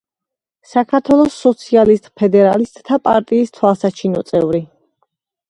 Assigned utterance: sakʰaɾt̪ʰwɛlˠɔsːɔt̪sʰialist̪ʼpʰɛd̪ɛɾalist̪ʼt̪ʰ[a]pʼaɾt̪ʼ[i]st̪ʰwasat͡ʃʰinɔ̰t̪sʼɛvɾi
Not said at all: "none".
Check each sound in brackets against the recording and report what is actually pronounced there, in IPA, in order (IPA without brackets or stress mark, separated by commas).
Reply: a, iː